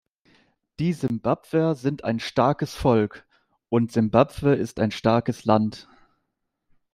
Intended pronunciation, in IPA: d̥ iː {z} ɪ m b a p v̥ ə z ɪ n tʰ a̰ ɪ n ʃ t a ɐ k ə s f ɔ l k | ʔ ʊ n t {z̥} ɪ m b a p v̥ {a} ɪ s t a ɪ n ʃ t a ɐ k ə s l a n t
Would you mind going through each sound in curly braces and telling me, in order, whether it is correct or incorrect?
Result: correct, correct, incorrect: ə

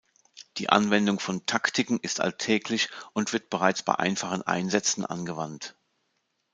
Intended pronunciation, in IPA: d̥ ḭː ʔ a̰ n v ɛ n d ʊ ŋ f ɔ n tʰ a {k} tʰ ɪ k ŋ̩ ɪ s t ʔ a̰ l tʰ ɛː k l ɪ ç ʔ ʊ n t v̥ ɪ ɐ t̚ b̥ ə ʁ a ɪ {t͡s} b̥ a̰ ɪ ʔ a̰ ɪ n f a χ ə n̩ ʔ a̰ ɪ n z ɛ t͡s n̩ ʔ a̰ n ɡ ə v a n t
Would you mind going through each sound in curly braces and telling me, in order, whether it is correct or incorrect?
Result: correct, correct

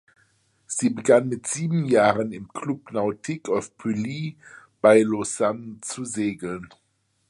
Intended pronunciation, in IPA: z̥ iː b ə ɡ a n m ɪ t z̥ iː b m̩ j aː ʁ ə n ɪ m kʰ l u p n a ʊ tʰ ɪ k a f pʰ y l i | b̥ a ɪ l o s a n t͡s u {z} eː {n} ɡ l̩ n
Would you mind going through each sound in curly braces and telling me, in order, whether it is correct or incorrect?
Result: correct, incorrect: none

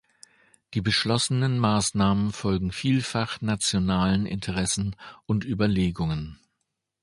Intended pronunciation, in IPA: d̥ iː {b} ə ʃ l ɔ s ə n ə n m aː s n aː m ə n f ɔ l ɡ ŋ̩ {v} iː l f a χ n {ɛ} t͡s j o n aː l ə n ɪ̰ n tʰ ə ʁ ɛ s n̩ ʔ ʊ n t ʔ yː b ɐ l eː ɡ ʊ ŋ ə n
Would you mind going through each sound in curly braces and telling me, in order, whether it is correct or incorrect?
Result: correct, incorrect: f, incorrect: a

